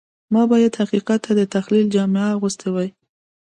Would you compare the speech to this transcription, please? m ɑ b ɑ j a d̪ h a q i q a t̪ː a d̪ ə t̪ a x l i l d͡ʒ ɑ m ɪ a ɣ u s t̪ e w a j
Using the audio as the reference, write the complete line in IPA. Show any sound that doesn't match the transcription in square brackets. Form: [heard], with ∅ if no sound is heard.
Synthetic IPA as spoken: m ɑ b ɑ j a d̪ h a q i q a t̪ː a d̪ ə t̪ a x l i l d͡ʒ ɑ m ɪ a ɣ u s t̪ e w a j